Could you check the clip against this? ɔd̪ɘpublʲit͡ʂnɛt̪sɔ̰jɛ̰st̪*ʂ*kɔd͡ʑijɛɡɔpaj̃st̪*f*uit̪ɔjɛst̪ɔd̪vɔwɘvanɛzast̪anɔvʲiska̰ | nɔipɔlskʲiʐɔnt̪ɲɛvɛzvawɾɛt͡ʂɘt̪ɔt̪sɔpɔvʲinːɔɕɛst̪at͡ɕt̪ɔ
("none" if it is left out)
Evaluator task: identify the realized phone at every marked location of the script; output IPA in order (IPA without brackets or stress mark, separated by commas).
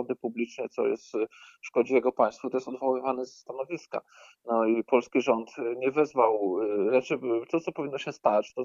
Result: ʂ, f